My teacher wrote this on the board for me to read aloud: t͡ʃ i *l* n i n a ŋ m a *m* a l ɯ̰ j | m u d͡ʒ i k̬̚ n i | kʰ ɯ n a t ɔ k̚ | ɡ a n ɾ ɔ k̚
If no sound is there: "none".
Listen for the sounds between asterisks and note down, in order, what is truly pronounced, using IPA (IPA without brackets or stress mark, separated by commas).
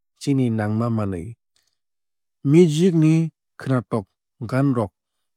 none, m